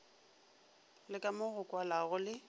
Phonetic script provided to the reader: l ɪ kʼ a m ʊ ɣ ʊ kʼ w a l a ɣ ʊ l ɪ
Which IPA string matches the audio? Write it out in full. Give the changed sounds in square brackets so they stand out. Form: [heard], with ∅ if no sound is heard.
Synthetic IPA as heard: l ɪ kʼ a m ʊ ɣ ʊ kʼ w a l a ɣ ʊ l ɪ